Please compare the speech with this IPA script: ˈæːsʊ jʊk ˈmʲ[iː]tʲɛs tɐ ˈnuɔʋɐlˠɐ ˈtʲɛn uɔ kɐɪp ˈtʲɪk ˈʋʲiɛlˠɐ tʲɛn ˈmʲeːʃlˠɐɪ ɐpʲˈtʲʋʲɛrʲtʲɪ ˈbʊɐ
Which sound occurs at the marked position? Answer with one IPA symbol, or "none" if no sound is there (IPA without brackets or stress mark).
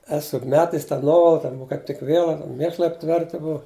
æː